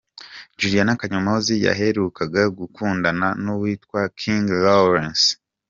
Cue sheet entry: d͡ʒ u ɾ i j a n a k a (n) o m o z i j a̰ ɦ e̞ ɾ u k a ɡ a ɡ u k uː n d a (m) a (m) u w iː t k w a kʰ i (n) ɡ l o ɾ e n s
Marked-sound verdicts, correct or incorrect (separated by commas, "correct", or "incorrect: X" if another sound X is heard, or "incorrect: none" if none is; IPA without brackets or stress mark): incorrect: ɲ, incorrect: n, incorrect: n, incorrect: ŋ